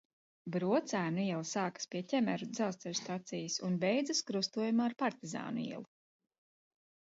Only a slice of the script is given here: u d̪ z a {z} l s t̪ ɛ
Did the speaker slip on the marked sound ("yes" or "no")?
yes